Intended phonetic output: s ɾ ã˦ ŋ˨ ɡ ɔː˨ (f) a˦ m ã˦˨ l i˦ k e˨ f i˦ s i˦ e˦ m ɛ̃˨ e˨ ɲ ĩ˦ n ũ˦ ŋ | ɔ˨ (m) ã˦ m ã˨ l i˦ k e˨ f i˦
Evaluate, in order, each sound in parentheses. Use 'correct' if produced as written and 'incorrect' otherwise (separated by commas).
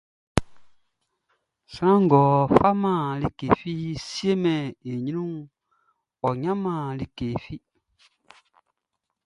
correct, incorrect